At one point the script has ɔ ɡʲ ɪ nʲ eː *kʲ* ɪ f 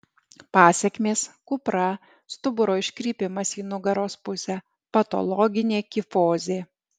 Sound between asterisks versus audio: correct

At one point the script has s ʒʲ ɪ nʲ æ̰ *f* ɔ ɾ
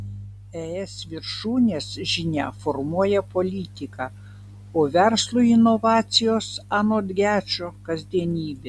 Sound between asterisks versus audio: correct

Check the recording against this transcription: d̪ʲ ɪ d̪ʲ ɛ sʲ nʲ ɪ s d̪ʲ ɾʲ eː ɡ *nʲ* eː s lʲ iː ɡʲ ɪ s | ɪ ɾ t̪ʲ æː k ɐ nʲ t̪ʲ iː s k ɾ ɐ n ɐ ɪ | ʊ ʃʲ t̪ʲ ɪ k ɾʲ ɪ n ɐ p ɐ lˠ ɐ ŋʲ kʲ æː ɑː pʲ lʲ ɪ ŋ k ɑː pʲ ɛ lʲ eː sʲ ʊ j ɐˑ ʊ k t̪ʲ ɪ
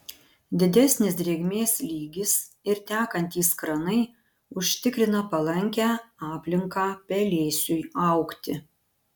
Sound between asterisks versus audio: incorrect: mʲ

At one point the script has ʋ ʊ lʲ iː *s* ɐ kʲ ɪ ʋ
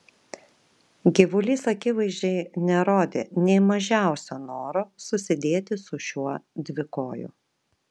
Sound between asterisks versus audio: correct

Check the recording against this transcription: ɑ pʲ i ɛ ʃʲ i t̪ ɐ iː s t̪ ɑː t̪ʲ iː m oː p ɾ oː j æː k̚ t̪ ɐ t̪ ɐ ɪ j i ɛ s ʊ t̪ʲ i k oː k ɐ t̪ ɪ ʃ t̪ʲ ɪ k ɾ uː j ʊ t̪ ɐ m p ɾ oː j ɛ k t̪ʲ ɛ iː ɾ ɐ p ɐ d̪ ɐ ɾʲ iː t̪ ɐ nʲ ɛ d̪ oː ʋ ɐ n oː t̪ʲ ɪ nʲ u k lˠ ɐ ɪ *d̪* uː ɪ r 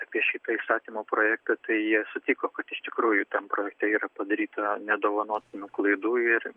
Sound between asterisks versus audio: correct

